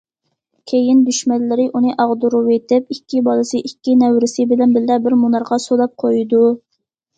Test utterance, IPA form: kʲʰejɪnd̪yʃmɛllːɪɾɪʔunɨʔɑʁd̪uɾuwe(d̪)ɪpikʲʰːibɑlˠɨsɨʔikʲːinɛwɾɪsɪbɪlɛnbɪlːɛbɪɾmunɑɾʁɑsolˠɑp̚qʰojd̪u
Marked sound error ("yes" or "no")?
yes